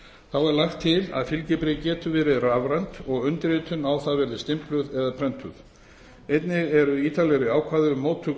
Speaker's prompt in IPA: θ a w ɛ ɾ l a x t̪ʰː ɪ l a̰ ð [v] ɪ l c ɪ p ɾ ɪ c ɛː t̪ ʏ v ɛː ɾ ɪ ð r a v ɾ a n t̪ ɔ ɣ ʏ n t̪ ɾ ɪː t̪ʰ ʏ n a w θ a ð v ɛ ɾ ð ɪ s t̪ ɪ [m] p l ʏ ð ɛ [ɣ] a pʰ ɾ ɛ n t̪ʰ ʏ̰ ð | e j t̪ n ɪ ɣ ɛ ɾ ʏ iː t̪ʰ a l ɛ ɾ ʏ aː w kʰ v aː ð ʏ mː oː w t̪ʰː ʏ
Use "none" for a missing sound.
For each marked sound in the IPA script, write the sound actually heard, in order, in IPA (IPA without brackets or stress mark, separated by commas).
f, m, ð